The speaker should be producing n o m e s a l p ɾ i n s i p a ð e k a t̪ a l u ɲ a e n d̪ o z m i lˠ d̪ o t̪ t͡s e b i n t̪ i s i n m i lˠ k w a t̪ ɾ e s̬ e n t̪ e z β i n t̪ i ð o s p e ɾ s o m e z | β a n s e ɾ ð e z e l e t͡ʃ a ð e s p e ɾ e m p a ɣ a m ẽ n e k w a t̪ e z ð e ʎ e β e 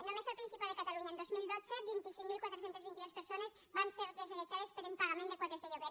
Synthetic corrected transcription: n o m e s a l p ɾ i n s i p a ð e k a t̪ a l u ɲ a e n d̪ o z m i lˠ d̪ o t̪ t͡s e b i n t̪ i s i ŋ m i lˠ k w a t̪ ɾ e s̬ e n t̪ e z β i n t̪ i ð o s p e ɾ s o n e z | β a n s e ɾ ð e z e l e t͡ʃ a ð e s p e ɾ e m p a ɣ a m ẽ n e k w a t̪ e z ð e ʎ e β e